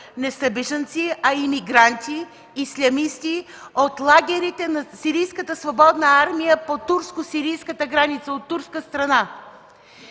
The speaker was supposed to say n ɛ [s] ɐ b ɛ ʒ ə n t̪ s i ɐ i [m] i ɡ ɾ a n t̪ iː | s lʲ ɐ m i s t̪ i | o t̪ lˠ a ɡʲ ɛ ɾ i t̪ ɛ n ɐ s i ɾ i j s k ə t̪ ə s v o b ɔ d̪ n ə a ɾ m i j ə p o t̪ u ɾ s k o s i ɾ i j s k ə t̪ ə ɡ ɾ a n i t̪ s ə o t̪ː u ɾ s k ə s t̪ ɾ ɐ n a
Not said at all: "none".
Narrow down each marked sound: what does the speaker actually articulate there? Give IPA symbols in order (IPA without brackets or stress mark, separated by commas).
s, m